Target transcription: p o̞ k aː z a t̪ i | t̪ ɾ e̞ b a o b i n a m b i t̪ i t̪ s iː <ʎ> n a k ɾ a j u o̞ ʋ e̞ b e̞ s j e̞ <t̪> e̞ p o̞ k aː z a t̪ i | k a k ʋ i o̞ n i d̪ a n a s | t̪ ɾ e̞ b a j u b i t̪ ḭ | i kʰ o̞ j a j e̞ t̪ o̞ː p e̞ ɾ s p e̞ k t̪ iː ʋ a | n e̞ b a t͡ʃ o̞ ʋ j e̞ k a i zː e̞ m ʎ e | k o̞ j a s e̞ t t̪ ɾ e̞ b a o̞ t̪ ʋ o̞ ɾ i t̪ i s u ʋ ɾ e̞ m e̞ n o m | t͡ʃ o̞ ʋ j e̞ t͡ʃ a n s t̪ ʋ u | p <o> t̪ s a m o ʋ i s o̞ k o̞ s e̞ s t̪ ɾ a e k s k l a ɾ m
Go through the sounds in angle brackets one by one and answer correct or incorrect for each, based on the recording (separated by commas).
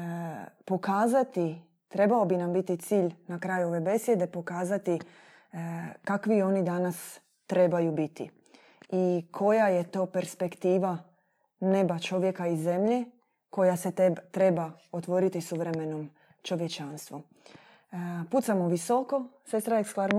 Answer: correct, incorrect, incorrect